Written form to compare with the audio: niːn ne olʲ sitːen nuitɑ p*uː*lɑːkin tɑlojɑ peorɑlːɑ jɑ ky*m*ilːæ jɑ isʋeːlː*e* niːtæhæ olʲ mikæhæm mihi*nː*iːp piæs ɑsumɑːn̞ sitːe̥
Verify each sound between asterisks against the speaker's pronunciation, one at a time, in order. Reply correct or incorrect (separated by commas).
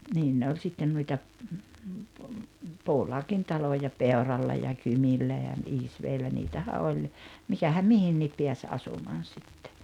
correct, correct, incorrect, correct